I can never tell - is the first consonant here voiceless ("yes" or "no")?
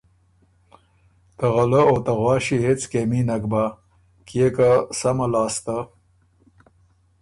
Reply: yes